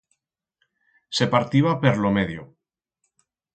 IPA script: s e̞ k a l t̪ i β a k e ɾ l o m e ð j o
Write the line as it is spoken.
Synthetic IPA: s e̞ p a ɾ t̪ i β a p e ɾ l o m e ð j o